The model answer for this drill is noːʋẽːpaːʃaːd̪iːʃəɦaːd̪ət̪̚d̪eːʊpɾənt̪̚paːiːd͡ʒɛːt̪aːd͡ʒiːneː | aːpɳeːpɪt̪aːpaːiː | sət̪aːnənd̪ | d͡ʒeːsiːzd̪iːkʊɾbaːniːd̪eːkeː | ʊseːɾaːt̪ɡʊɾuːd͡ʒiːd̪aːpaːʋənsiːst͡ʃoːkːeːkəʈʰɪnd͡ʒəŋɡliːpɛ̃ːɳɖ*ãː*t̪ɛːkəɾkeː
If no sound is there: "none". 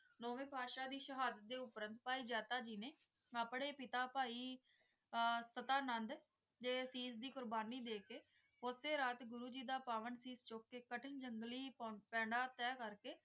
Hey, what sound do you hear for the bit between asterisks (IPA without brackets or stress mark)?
aː